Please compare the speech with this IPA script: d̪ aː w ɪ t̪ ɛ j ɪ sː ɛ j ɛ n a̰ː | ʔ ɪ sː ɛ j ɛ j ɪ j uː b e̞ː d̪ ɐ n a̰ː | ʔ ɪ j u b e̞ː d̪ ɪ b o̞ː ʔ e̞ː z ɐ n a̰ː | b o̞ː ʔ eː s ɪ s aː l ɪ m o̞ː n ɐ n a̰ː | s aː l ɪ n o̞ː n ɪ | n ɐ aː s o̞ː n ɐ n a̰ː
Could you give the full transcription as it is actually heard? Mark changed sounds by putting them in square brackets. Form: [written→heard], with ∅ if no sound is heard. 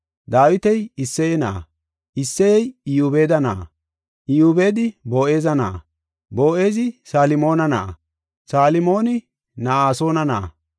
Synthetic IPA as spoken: d̪ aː w ɪ t̪ ɛ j ɪ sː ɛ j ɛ n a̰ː | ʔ ɪ sː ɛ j ɛ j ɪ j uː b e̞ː d̪ ɐ n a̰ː | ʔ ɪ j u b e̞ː d̪ ɪ b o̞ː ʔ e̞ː z ɐ n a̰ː | b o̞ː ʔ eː [s→z] ɪ s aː l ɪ m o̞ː n ɐ n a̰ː | s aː l ɪ [n→m] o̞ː n ɪ | n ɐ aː s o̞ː n ɐ n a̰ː

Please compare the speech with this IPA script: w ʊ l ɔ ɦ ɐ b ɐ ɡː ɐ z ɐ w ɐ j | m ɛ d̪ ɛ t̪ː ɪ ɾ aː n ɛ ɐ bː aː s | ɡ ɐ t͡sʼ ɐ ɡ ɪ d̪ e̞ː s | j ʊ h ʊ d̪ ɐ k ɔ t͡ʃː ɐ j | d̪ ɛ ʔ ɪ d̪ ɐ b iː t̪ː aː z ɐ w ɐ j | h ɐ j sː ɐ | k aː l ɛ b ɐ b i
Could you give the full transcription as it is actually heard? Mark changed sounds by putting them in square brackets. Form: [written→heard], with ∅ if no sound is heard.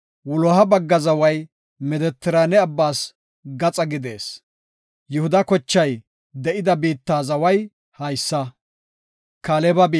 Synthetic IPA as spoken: w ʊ l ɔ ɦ ɐ b ɐ ɡː ɐ z ɐ w ɐ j | m ɛ d̪ ɛ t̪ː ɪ ɾ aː n ɛ ɐ bː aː s | ɡ ɐ t͡sʼ ɐ ɡ ɪ d̪ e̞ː s | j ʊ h ʊ d̪ ɐ k ɔ t͡ʃː ɐ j | d̪ ɛ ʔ ɪ d̪ ɐ b iː t̪ː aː z ɐ w ɐ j | h ɐ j sː ɐ | k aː l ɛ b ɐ b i

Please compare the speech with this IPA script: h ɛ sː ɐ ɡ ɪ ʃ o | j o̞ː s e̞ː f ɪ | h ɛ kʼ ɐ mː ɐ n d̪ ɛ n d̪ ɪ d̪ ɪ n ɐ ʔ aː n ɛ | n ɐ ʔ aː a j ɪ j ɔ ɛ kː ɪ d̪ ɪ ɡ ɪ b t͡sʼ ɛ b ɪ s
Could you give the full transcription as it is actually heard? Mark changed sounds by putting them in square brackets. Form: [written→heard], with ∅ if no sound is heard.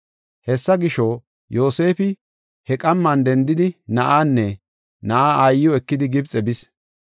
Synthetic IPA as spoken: h ɛ sː ɐ ɡ ɪ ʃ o | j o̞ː s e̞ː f ɪ | h ɛ kʼ ɐ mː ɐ n d̪ ɛ n d̪ ɪ d̪ ɪ n ɐ ʔ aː [n→nː] ɛ | n ɐ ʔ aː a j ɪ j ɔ ɛ kː ɪ d̪ ɪ ɡ ɪ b t͡sʼ ɛ b ɪ s

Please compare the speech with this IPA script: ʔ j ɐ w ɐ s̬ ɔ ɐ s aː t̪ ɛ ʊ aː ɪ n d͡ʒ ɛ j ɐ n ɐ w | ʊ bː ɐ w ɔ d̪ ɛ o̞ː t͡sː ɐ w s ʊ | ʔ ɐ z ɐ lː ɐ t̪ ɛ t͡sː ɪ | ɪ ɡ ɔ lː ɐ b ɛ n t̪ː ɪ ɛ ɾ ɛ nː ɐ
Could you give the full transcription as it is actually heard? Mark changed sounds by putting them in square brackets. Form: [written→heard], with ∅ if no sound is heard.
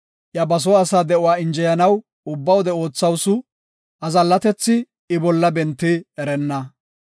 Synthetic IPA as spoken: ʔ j ɐ [w→b] ɐ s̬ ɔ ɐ s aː [t̪→d̪] ɛ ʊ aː ɪ n d͡ʒ ɛ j ɐ n ɐ w | ʊ bː ɐ w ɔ d̪ ɛ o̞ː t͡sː ɐ w s ʊ | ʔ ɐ z ɐ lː ɐ t̪ ɛ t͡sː ɪ | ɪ [ɡ→b] ɔ lː ɐ b ɛ n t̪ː ɪ ɛ ɾ ɛ nː ɐ

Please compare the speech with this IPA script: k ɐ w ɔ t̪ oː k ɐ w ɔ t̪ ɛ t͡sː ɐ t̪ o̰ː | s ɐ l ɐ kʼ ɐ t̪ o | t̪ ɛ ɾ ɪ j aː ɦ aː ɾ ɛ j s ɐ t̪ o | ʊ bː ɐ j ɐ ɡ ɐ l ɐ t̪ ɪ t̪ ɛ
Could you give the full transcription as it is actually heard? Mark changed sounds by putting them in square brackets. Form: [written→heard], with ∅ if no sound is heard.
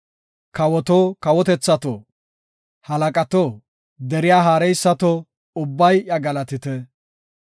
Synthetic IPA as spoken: k ɐ w ɔ t̪ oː k ɐ w ɔ t̪ ɛ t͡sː ɐ t̪ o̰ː | [s→h] ɐ l ɐ kʼ ɐ t̪ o | [t̪→d̪] ɛ ɾ ɪ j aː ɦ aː ɾ ɛ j [s→sː] ɐ t̪ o | ʊ bː ɐ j ɐ ɡ ɐ l ɐ t̪ ɪ t̪ ɛ

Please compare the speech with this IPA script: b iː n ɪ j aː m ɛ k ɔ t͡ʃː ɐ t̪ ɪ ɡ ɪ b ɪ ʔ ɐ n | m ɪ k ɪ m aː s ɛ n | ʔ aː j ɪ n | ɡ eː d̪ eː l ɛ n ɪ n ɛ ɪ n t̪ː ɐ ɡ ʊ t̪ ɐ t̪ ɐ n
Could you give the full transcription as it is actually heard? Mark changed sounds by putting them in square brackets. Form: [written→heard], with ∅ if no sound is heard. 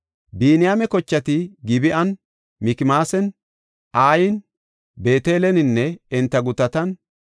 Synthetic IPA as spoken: b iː n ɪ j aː m ɛ k ɔ t͡ʃː ɐ t̪ ɪ ɡ ɪ b ɪ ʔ ɐ n | m ɪ k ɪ m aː s ɛ n | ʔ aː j ɪ n | [ɡ→b] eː [d̪→t̪] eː l ɛ n ɪ [n→nː] ɛ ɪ n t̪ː ɐ ɡ ʊ t̪ ɐ t̪ ɐ n

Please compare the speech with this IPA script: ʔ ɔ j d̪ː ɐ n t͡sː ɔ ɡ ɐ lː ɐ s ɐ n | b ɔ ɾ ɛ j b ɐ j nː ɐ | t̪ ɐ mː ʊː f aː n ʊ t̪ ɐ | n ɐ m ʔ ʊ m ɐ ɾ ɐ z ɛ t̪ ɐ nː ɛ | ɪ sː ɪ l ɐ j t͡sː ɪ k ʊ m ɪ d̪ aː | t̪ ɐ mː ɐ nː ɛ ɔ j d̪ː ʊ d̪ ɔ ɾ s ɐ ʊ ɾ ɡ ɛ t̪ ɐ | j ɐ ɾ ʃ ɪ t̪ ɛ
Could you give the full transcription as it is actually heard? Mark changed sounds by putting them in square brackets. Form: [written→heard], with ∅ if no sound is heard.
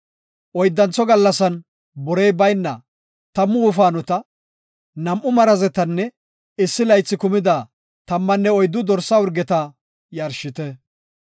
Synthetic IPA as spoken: ʔ ɔ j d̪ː ɐ n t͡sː ɔ ɡ ɐ lː ɐ s ɐ n | b ɔ ɾ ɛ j b ɐ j nː ɐ | t̪ ɐ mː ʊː f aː n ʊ t̪ ɐ | n ɐ m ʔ ʊ m ɐ ɾ ɐ z ɛ t̪ ɐ nː ɛ | ɪ sː ɪ l ɐ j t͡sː ɪ k ʊ m ɪ d̪ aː | t̪ ɐ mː ɐ nː ɛ ɔ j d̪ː ʊ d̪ ɔ ɾ s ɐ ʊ ɾ ɡ ɛ t̪ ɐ | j ɐ ɾ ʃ ɪ t̪ ɛ

